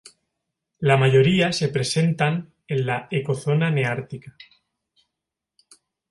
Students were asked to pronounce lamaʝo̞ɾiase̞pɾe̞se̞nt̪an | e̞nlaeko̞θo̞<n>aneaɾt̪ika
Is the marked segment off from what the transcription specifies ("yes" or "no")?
no